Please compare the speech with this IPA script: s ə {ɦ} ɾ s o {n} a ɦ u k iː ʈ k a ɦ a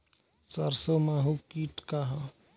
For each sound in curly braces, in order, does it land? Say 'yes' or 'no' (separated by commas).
no, no